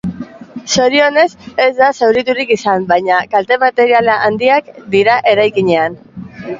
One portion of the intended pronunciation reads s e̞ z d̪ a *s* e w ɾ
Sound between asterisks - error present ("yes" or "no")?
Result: no